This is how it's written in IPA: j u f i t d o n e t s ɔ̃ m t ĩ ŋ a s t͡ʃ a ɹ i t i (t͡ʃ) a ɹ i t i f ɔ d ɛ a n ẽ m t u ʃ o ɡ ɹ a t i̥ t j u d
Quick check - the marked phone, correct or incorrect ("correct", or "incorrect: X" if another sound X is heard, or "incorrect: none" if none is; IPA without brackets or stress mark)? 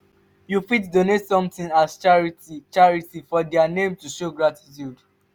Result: correct